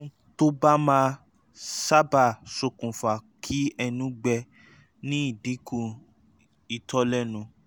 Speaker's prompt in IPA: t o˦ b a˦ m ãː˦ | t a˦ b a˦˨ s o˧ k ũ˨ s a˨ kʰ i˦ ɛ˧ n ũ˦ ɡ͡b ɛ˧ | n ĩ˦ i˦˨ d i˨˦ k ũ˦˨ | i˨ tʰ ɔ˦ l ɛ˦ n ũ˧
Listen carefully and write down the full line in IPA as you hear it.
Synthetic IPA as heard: t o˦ b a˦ m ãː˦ | s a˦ b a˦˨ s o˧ k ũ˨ f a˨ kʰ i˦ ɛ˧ n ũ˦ ɡ͡b ɛ˧ | n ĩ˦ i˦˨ d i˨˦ k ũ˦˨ | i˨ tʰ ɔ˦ l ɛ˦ n ũ˧